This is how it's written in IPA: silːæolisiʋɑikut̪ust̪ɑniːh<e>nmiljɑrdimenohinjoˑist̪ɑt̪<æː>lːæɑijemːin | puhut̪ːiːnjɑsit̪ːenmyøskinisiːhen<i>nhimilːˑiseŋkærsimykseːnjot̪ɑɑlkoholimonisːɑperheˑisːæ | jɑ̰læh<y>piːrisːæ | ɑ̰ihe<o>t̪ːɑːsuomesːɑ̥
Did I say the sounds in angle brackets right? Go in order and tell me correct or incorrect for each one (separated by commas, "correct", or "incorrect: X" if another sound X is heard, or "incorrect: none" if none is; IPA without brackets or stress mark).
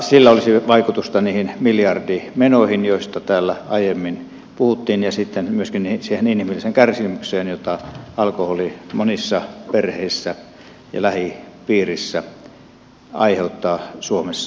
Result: incorrect: i, correct, correct, incorrect: i, incorrect: u